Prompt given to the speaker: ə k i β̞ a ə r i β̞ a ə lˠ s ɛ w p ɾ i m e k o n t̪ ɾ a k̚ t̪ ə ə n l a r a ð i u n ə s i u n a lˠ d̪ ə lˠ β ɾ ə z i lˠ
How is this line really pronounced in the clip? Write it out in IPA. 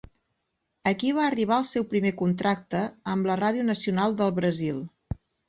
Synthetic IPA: ə k i β̞ a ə r i β̞ a ə lˠ s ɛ w p ɾ i m e k u n t̪ ɾ a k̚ t̪ ə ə m l ə r a ð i u n ə s i u n a lˠ d̪ ə lˠ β ɾ ə z i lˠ

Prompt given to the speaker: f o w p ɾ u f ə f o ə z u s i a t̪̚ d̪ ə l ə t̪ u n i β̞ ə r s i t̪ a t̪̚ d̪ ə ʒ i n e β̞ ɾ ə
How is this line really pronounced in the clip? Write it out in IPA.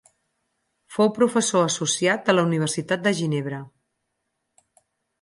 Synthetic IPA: f o w p ɾ u f ə s o ə s u s i a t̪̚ d̪ ə l ə u n i β̞ ə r s i t̪ a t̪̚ d̪ ə ʒ i n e β̞ ɾ ə

